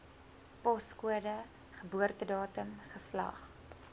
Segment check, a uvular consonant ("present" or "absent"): present